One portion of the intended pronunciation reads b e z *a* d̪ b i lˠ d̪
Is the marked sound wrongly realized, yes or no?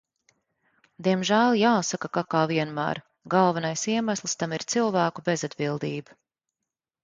no